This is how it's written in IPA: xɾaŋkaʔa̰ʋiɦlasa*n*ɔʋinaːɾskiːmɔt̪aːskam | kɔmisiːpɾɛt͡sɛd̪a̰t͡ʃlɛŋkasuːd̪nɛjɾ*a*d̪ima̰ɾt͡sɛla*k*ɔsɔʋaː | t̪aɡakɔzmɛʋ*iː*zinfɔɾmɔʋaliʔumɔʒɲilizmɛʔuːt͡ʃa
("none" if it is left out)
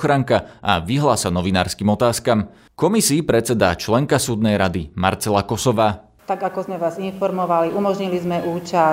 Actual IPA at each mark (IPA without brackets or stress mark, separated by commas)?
n, a, k, aː